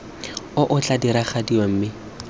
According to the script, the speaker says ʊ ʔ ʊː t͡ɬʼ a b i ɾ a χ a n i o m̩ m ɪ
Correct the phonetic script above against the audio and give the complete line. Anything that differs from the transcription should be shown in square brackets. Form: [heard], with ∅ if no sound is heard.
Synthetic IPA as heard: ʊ ʔ [ʊ] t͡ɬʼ a [d] i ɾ a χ a [d] i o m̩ m ɪ